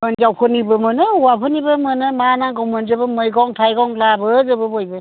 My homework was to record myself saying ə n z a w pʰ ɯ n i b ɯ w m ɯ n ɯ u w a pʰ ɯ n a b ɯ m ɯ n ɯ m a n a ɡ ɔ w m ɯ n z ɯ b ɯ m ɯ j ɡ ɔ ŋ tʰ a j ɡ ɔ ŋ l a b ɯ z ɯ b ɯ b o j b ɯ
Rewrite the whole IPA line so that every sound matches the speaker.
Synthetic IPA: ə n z a w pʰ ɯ n i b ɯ m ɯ n ɯ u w a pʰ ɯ n i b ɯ m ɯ n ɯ m a n a ɡ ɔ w m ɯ n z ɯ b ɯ m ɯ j ɡ ɔ ŋ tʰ a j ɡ ɔ ŋ l a b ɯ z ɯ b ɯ b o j b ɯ